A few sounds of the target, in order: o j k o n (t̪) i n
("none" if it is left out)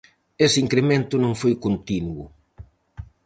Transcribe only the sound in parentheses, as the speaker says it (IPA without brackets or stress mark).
t̪